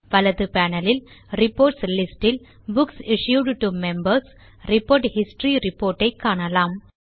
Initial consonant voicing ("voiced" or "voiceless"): voiced